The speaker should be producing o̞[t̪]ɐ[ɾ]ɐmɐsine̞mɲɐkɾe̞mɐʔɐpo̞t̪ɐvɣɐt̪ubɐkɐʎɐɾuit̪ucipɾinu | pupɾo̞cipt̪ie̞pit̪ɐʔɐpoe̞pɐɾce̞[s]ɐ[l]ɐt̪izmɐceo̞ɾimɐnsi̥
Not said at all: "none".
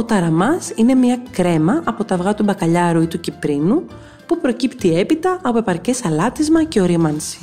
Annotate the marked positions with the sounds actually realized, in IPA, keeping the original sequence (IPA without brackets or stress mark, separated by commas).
t̪, ɾ, s, l